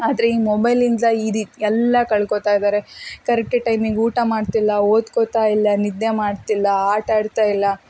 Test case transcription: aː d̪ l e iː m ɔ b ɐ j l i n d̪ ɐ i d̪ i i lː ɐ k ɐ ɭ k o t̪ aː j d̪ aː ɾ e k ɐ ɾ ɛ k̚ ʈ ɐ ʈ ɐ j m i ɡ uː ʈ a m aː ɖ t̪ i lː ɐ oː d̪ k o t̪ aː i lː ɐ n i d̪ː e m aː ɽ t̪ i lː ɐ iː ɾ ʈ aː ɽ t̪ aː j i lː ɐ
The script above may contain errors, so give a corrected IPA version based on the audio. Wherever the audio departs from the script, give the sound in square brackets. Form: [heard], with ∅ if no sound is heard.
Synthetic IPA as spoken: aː d̪ [ɾ] e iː m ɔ b ɐ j l i n d̪ ɐ i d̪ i [ɛ] lː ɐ k ɐ ɭ k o t̪ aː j d̪ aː ɾ e k ɐ ɾ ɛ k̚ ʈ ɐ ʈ ɐ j m i ɡ uː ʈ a m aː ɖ t̪ i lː ɐ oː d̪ k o t̪ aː i lː ɐ n i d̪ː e m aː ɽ t̪ i lː ɐ [aː] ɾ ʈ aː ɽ t̪ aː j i lː ɐ